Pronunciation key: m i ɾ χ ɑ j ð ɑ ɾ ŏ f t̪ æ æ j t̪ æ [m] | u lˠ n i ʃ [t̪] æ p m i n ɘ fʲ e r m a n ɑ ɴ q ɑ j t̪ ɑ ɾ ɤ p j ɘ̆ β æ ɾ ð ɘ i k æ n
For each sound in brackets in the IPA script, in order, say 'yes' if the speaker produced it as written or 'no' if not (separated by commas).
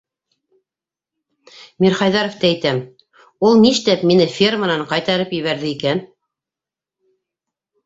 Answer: yes, yes